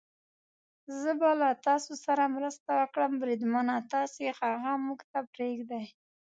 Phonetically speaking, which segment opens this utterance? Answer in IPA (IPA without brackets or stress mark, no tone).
z